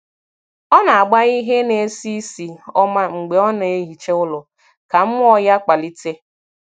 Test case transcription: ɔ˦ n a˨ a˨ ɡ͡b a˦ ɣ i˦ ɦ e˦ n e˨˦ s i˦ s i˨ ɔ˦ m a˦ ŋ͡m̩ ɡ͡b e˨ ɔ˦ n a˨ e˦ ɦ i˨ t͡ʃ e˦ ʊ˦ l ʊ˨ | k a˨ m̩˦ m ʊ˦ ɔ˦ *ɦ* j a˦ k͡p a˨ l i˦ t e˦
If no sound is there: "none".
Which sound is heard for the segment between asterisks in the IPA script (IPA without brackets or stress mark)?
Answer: none